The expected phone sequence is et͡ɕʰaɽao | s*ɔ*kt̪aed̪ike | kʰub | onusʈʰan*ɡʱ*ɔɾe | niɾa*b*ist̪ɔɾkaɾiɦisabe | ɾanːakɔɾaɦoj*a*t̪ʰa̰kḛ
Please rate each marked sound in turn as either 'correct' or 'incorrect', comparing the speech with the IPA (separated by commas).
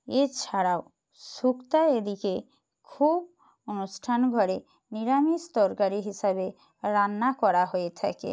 incorrect, correct, incorrect, incorrect